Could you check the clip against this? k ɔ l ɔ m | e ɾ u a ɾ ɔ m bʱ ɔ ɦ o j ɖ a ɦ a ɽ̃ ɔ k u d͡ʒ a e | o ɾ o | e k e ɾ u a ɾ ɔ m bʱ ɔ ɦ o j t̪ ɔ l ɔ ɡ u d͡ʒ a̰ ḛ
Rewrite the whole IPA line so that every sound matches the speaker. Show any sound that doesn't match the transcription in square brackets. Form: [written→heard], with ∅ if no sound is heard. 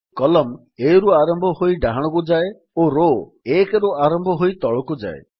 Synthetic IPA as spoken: k ɔ l ɔ m | e ɾ u a ɾ ɔ m bʱ ɔ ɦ o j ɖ a ɦ a ɽ̃ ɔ k u d͡ʒ a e | o ɾ o | e k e ɾ u a ɾ ɔ m bʱ ɔ ɦ o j t̪ ɔ [l→ɭ] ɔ [ɡ→k] u d͡ʒ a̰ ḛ

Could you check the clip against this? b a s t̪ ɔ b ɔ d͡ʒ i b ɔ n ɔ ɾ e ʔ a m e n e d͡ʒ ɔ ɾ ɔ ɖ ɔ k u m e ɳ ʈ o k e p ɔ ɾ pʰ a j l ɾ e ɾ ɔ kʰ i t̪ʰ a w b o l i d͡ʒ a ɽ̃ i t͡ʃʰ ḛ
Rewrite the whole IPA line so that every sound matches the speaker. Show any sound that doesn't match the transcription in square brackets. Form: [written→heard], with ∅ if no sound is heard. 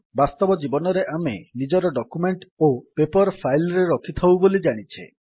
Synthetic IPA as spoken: b a s t̪ ɔ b ɔ d͡ʒ i b ɔ n ɔ ɾ e ʔ a m e n [e→i] d͡ʒ ɔ ɾ ɔ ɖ ɔ k u m e ɳ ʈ o [k→p] e p ɔ ɾ pʰ a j l ɾ e ɾ ɔ kʰ i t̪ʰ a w b o l i d͡ʒ a ɽ̃ i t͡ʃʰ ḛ

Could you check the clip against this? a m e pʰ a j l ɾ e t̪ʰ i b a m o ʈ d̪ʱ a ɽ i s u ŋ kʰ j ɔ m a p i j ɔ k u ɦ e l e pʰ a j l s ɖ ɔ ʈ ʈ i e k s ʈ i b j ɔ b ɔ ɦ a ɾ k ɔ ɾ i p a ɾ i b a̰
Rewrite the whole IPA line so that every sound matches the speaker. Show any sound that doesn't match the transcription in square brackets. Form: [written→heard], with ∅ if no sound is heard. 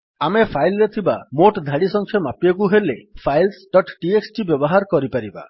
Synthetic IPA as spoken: a m e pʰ a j l ɾ e t̪ʰ i b a m o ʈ d̪ʱ a ɽ i s [u→ɔ] ŋ kʰ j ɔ m a p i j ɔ k u ɦ e l e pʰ a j l s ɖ ɔ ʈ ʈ i e k s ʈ i b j ɔ b ɔ ɦ a ɾ k ɔ ɾ i p a ɾ i b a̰

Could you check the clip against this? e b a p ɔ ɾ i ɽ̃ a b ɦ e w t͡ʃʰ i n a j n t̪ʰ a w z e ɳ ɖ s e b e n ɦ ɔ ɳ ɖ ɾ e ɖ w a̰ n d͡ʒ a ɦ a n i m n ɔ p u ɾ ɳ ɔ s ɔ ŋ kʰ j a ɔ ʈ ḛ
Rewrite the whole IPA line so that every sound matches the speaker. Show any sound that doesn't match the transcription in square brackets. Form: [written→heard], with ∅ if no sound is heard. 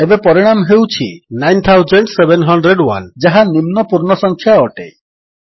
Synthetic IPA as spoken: e b [a→e] p ɔ ɾ i ɽ̃ a [b→m] ɦ e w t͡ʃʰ i n a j n t̪ʰ a w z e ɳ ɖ s e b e n ɦ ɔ ɳ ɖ ɾ e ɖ w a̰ n d͡ʒ a ɦ a n i m n ɔ p u ɾ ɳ ɔ s ɔ ŋ kʰ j a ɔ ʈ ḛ

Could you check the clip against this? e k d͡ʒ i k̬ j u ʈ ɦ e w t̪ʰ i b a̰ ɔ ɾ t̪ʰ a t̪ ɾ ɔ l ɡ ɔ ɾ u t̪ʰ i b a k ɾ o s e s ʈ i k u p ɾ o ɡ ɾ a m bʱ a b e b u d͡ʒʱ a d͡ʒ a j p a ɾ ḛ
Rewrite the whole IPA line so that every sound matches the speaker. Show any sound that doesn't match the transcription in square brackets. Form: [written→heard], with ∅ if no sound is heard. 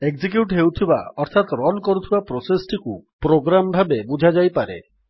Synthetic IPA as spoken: e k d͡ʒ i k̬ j u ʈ ɦ e w t̪ʰ i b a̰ ɔ ɾ t̪ʰ a t̪ ɾ ɔ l [ɡ→k] ɔ ɾ u t̪ʰ i b a [k→p] ɾ o s e s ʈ i k u p ɾ o ɡ ɾ a m bʱ a b e b u d͡ʒʱ a d͡ʒ a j p a ɾ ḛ

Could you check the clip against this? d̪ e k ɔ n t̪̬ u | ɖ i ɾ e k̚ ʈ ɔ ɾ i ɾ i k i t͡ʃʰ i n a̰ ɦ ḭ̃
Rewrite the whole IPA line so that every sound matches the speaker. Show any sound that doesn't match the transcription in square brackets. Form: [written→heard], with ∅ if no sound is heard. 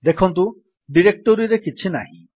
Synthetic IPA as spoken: d̪ e [k→kʰ] ɔ n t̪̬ u | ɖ i ɾ e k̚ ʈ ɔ ɾ i ɾ [i→e] k i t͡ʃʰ i n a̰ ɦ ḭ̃

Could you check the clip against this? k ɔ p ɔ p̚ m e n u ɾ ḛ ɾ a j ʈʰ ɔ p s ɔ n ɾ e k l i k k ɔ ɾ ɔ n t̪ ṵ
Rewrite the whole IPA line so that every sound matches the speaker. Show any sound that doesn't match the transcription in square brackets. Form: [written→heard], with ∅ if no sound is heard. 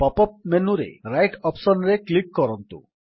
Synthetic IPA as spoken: [k→p] ɔ p ɔ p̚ m e n u ɾ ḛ ɾ a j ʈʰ ɔ p s ɔ n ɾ e k l i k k ɔ ɾ ɔ n t̪ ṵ

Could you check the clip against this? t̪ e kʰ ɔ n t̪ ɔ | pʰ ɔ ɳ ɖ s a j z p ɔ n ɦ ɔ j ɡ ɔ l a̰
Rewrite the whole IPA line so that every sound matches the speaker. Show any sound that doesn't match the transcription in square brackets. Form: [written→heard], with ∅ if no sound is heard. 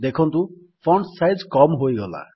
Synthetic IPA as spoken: [t̪→d̪] e kʰ ɔ n t̪ [ɔ→u] | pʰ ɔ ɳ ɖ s a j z [p→k] ɔ [n→m] ɦ [ɔ→o] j ɡ ɔ l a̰

